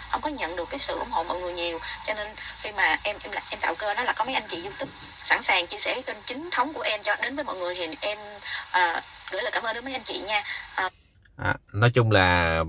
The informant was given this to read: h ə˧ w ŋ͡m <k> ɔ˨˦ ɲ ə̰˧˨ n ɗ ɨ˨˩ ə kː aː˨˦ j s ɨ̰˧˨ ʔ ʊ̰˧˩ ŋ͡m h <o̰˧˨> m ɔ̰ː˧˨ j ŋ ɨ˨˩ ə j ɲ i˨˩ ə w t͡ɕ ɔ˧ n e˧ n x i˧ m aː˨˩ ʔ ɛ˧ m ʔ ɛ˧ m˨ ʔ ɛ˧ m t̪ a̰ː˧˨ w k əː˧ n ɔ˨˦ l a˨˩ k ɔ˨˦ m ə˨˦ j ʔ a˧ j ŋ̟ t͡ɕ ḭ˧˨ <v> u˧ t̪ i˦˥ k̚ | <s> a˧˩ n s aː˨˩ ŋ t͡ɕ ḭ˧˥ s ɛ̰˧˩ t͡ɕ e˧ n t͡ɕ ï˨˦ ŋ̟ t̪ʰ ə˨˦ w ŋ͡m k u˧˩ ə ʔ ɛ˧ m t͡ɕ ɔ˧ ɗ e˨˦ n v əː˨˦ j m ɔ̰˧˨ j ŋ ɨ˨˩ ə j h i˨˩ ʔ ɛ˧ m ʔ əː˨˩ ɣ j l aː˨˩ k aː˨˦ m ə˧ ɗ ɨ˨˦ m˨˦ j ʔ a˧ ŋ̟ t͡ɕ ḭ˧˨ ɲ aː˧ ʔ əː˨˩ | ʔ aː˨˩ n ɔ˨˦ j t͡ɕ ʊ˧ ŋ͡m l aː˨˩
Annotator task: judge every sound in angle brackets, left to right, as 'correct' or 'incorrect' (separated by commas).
correct, correct, incorrect, correct